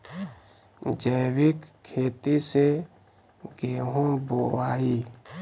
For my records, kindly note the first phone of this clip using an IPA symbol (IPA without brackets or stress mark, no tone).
d͡ʒ